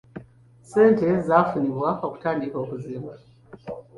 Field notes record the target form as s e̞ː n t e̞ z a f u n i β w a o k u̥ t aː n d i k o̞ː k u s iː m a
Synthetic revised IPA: s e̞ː n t e̞ z a f u n i β w a o k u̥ t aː n d i k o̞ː k u z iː m a